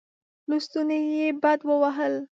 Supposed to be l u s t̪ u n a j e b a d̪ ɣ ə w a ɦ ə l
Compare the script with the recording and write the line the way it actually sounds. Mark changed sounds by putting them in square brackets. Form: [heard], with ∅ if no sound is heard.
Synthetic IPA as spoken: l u s t̪ u n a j e b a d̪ [w] ə w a ɦ ə l